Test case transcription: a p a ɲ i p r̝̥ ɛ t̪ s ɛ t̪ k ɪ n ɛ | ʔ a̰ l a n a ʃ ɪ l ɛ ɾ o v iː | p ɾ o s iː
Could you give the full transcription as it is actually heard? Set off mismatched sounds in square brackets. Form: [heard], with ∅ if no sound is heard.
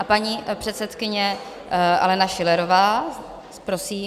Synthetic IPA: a p a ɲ i p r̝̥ ɛ t̪ s ɛ t̪ k ɪ [ɲ] ɛ | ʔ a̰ l [ɛ] n a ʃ ɪ l ɛ ɾ o v [aː] | p ɾ o s iː